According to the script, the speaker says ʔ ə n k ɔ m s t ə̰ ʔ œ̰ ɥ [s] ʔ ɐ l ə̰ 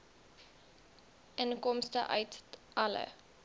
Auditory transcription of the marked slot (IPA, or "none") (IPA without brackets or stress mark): t